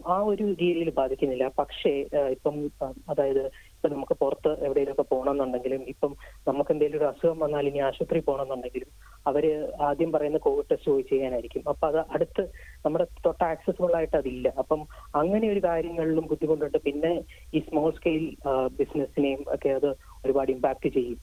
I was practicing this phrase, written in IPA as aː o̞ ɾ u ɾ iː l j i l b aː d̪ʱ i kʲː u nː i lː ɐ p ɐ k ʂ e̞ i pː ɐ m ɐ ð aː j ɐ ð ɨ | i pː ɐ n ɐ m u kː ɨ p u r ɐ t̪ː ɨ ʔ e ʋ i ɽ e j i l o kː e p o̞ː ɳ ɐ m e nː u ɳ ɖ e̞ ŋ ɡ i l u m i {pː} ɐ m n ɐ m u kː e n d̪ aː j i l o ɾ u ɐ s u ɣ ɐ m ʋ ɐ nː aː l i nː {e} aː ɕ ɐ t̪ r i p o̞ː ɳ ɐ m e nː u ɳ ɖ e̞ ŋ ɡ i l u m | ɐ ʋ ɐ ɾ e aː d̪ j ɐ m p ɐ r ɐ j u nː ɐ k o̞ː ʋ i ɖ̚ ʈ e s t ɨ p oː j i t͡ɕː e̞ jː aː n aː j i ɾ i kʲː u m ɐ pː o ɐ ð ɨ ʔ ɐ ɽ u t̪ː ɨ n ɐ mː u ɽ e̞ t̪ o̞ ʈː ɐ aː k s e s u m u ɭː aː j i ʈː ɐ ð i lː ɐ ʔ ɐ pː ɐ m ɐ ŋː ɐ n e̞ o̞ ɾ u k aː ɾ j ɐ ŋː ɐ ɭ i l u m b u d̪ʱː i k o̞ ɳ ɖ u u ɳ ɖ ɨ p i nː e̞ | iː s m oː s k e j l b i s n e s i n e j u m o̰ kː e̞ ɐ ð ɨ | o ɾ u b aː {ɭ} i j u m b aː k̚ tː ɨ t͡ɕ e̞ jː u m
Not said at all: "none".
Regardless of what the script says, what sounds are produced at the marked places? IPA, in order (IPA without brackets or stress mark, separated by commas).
pː, i, ɽ